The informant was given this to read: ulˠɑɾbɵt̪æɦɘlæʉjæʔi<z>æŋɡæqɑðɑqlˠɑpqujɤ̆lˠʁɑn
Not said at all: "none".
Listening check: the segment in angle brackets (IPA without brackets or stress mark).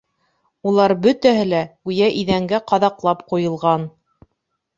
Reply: ð